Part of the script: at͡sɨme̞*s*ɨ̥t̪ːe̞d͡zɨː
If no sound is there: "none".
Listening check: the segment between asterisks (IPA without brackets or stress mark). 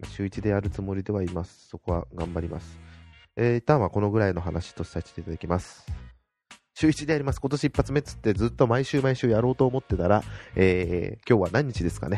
t͡s